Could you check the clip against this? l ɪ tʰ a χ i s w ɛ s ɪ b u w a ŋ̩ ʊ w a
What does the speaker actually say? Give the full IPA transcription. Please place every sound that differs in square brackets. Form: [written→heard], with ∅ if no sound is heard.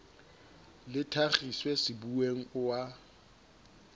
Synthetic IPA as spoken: l ɪ tʰ a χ i s w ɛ s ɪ b u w [a→e] ŋ̩ ʊ w a